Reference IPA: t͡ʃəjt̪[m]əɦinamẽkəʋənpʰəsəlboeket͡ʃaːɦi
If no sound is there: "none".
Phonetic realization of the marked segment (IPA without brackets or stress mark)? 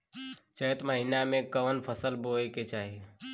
m